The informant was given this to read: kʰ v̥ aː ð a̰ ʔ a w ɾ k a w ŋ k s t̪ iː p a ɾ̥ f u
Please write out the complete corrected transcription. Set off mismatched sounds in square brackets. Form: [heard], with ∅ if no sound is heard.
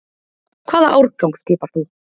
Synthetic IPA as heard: kʰ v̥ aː ð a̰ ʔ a w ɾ k a w ŋ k s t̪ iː p a ɾ̥ [θ] u